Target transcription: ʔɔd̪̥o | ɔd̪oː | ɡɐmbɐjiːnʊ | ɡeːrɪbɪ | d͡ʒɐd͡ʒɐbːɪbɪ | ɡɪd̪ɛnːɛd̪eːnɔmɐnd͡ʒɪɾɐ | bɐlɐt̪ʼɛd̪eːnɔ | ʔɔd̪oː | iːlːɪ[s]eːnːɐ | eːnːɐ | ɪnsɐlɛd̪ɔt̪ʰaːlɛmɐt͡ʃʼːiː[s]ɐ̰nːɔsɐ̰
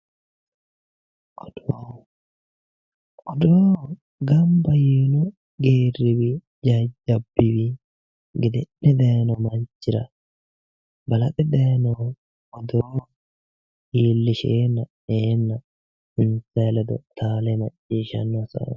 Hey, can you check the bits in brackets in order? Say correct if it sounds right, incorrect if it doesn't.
incorrect: ʃ, incorrect: ʃ

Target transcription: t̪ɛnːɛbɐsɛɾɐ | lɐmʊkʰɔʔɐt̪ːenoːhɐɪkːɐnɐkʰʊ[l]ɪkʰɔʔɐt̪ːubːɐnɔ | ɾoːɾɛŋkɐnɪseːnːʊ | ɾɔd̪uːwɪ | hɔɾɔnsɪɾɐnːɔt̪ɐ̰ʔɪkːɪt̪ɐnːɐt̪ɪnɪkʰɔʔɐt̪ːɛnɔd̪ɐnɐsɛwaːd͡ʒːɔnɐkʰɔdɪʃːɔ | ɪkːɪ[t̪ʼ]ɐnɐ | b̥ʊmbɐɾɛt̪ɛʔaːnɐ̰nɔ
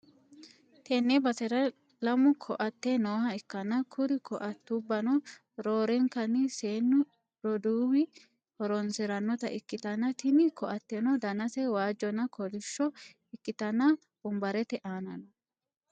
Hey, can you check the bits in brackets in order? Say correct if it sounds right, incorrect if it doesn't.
incorrect: ɾ, incorrect: t̪

